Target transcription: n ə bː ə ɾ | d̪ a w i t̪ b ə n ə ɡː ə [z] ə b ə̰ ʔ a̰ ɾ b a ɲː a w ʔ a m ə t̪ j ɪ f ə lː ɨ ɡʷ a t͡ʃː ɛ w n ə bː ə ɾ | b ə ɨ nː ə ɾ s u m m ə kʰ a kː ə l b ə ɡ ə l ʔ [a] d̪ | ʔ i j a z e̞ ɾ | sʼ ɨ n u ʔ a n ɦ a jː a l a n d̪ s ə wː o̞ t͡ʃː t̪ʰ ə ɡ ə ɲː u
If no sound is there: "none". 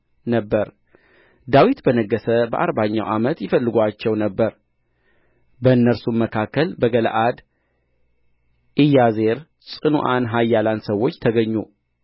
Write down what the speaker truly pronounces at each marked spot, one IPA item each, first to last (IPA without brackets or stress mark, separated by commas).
s, a